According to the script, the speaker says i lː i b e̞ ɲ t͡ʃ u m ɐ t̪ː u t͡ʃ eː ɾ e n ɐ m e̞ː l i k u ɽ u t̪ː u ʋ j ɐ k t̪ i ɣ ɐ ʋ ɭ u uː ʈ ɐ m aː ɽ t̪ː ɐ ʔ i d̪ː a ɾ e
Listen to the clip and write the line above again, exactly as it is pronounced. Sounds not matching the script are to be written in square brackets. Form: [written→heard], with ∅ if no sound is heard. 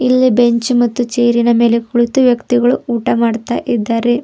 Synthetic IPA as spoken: i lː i b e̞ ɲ t͡ʃ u m ɐ t̪ː u t͡ʃ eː ɾ [e→i] n ɐ m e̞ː l [i→e] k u [ɽ→ɭ] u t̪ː u ʋ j ɐ k t̪ i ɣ ɐ [ʋ→∅] ɭ u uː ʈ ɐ m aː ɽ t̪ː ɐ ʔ i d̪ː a ɾ e

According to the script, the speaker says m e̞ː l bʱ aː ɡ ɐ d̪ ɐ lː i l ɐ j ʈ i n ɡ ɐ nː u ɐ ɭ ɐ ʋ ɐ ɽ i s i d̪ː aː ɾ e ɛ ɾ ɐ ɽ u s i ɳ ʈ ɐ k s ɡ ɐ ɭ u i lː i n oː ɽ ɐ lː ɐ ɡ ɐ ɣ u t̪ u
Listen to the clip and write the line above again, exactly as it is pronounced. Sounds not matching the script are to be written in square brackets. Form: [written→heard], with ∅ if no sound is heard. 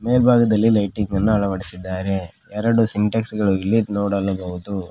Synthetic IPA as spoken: m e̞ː l bʱ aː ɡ ɐ d̪ ɐ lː i l ɐ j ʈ i [n→ŋ] ɡ ɐ nː u ɐ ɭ ɐ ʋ ɐ ɽ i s i d̪ː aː ɾ e ɛ ɾ ɐ ɽ u s i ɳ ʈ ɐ k s ɡ ɐ ɭ u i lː i n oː ɽ ɐ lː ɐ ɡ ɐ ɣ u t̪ u

